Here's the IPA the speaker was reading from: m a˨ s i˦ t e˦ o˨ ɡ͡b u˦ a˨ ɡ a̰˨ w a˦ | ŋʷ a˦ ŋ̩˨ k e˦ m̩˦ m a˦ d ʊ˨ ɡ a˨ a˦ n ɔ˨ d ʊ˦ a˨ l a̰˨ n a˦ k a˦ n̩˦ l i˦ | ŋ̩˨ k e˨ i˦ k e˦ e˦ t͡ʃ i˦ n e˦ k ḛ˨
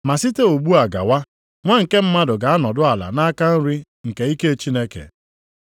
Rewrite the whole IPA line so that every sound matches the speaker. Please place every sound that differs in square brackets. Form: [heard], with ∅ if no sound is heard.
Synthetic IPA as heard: m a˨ s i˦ t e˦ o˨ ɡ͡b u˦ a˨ ɡ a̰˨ w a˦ | ŋʷ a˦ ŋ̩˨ k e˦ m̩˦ m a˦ d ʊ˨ ɡ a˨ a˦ n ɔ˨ d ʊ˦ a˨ l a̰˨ n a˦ k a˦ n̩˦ [ɾ] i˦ | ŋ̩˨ k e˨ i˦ k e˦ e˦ t͡ʃ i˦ n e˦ k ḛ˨

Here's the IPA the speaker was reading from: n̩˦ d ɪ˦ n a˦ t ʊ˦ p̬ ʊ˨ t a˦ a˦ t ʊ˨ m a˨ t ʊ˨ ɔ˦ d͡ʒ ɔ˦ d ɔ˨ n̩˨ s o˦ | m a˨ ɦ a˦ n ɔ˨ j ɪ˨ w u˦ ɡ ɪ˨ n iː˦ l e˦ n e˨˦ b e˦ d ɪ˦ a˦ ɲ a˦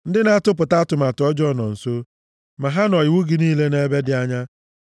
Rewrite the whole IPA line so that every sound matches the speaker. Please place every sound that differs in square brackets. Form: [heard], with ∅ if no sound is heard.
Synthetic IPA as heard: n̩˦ d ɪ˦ n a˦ t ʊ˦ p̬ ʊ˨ t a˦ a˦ t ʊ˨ m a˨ t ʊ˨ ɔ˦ d͡ʒ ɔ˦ [n] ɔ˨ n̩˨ s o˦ | m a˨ ɦ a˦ n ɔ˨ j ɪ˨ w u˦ ɡ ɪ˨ n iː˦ l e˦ n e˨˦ b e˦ d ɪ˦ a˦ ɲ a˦

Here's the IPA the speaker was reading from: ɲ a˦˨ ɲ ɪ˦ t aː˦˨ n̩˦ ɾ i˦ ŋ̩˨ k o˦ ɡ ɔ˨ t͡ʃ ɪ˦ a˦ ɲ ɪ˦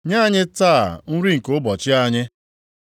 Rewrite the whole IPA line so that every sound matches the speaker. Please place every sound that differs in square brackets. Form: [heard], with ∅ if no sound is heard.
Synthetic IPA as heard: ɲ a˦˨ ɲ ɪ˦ t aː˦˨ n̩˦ ɾ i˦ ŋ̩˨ k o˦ [b] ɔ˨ t͡ʃ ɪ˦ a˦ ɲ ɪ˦

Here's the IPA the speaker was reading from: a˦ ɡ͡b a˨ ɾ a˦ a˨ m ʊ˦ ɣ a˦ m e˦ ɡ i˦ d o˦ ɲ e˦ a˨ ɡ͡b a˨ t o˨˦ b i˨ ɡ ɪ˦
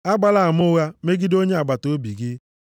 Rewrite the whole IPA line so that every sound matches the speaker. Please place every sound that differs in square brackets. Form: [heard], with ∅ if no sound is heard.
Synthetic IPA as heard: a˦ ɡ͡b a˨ [l] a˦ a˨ m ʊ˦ ɣ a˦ m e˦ ɡ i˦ d o˦ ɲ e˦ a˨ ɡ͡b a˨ t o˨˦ b i˨ ɡ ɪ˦

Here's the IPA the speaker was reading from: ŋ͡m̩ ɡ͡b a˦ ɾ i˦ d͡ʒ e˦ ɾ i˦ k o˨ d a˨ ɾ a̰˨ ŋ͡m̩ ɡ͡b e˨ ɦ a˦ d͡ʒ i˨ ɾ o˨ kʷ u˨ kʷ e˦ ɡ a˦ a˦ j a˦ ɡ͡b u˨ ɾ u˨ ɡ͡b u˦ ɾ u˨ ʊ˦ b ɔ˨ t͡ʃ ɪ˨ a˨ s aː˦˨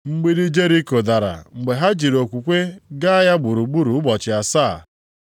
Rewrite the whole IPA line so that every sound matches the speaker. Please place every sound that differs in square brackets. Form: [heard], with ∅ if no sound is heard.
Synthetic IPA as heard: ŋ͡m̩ ɡ͡b [i˦] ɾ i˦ d͡ʒ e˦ ɾ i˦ k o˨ d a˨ ɾ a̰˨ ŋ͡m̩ ɡ͡b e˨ ɦ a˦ d͡ʒ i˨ ɾ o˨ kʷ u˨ kʷ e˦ ɡ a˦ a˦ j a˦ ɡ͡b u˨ ɾ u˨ ɡ͡b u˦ ɾ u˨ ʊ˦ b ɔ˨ t͡ʃ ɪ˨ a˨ s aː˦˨

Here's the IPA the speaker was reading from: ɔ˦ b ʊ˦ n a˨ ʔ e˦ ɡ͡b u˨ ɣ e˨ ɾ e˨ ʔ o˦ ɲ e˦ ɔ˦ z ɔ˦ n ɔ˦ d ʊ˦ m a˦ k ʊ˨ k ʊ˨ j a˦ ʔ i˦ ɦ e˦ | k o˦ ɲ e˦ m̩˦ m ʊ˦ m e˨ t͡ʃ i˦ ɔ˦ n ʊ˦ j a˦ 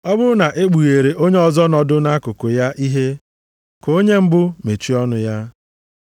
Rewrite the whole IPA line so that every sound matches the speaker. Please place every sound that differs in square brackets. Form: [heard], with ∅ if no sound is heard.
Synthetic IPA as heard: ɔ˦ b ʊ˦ n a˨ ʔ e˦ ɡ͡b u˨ ɣ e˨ ɾ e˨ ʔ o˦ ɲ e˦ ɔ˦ z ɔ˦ n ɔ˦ d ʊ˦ [n] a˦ k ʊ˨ k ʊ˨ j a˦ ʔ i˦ ɦ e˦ | k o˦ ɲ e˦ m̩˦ [b] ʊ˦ m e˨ t͡ʃ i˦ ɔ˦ n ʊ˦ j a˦

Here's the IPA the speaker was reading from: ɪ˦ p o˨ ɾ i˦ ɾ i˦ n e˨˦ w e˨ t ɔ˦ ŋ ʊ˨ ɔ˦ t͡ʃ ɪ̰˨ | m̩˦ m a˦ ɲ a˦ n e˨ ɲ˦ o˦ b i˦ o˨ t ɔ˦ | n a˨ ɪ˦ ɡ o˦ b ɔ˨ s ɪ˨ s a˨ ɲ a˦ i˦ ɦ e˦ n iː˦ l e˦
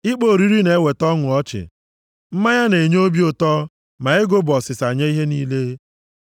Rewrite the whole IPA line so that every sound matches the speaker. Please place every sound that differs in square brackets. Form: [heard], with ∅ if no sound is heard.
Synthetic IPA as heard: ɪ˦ [k͡p] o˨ ɾ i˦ ɾ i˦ n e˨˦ w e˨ t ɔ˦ ŋ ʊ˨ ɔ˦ t͡ʃ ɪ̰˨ | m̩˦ m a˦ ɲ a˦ n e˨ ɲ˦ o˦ b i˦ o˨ t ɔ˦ | [m] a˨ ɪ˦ ɡ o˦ b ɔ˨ s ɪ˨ s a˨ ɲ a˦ i˦ ɦ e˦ n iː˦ l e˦

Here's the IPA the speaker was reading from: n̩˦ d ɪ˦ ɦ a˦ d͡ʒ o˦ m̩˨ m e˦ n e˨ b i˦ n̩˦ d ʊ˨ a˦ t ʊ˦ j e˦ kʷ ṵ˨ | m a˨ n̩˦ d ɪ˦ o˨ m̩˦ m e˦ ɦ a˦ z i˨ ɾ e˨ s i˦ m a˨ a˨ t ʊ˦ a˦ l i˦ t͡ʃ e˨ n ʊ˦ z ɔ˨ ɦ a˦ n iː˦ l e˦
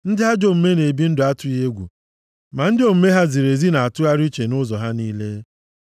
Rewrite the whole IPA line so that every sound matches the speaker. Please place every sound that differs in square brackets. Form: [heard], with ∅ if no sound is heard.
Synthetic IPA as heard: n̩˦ d ɪ˦ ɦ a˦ d͡ʒ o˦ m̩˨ m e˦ n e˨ b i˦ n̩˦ d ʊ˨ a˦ t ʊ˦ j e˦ [ɡʷ] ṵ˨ | m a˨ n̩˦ d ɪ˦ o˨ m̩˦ m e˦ ɦ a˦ z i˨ ɾ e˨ [z] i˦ [n] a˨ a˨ t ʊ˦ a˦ [ɾ] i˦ t͡ʃ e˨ n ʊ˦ z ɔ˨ ɦ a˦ n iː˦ l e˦

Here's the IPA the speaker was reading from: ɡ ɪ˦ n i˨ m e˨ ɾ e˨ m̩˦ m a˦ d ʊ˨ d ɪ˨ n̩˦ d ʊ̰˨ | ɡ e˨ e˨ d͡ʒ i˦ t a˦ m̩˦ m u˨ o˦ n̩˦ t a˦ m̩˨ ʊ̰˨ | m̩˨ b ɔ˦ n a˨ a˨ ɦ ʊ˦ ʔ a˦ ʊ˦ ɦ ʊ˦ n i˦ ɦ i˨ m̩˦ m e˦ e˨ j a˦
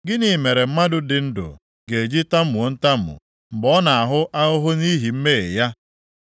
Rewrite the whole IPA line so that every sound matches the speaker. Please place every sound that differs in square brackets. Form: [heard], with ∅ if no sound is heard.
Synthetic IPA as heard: ɡ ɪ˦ n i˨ m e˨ ɾ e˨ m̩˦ m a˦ d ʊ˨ d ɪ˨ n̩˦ d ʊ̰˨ | ɡ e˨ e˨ d͡ʒ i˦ t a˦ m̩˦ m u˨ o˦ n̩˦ t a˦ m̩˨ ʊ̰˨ | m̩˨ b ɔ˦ n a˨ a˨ ɦ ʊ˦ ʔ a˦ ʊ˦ ɦ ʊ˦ n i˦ ɦ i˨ m̩˦ m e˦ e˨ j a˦

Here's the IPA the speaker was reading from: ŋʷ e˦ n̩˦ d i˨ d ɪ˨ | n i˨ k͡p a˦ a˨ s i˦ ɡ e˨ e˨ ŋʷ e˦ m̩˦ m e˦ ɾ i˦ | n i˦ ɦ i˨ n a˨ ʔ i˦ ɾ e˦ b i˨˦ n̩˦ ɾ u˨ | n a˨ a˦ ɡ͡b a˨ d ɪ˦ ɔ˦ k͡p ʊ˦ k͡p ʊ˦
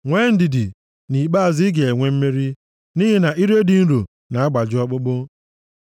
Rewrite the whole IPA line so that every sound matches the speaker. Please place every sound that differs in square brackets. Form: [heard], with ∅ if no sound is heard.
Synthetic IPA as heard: ŋʷ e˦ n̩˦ d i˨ d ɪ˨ | n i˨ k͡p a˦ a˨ [z] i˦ ɡ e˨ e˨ ŋʷ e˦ m̩˦ m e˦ ɾ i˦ | n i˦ ɦ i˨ n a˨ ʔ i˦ ɾ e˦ [d] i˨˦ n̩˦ ɾ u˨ | n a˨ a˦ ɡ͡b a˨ [d͡ʒ] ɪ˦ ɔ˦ k͡p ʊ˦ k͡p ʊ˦

